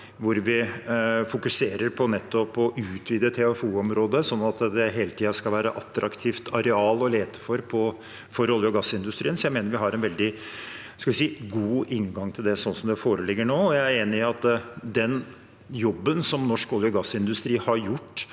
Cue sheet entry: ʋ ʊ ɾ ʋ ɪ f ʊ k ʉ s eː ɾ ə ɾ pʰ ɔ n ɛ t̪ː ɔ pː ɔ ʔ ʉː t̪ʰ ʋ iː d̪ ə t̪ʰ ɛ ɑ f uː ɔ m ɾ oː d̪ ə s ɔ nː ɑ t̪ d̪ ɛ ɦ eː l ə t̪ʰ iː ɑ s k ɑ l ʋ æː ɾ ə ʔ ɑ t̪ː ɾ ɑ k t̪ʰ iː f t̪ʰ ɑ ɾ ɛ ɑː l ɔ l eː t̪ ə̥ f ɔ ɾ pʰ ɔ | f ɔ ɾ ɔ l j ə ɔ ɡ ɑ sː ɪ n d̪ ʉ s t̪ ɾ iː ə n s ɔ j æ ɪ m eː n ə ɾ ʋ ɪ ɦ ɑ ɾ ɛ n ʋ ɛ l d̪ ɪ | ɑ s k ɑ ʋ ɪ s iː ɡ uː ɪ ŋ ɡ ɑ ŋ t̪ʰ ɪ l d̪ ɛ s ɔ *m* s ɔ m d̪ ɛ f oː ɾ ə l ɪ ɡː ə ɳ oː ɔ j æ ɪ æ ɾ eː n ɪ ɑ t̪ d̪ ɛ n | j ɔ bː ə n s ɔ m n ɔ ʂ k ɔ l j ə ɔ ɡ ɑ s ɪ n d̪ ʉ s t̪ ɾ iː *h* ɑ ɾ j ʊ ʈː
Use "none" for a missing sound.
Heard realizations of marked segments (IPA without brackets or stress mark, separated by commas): n, h